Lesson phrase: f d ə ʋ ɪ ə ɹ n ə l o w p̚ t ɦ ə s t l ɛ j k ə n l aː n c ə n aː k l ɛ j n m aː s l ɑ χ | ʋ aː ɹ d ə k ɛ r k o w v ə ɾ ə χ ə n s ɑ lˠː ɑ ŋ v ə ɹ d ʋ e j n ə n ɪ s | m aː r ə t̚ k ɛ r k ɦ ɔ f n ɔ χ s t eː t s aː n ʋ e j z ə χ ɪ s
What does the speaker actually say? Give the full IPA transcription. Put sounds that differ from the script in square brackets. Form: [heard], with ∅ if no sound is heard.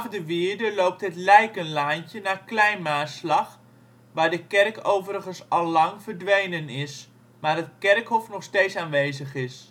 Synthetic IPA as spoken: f d ə ʋ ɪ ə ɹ [d] ə l o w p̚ t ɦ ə [∅] t l ɛ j k ə n l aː n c ə n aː k l ɛ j n m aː s l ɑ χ | ʋ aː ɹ d ə k ɛ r k o w v ə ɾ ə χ ə n s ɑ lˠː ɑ ŋ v ə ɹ d ʋ e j n ə n ɪ s | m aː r ə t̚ k ɛ r k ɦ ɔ f n ɔ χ s t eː t s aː n ʋ e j z ə χ ɪ s